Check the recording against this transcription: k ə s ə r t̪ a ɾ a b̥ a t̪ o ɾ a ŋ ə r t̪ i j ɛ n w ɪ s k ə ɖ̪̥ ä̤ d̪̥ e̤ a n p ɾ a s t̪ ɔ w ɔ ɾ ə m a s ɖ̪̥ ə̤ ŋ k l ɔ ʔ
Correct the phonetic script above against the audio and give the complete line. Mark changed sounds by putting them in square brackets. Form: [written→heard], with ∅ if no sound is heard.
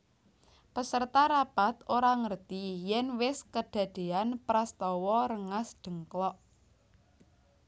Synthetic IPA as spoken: [k→p] ə s ə r t̪ a ɾ a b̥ a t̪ o ɾ a ŋ ə r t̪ i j ɛ n w ɪ s k ə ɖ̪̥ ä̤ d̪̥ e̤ a n p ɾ a s t̪ ɔ w ɔ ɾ ə [m→ŋ] a s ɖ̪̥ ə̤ ŋ k l ɔ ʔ